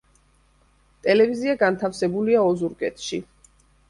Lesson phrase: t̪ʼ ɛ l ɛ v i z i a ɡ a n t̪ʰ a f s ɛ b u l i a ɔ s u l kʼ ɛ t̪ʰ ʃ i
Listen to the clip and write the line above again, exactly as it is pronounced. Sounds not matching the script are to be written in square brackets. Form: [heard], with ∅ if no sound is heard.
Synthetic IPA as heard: t̪ʼ ɛ l ɛ v i z i a ɡ a n t̪ʰ a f s ɛ b u l i a ɔ [z] u [ɾ] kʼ ɛ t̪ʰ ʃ i